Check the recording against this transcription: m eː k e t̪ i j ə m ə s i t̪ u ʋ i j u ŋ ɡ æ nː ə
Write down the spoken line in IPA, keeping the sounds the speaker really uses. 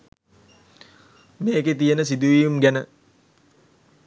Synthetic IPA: m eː k e t̪ i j ə n ə s i d̪ u ʋ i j u m ɡ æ n ə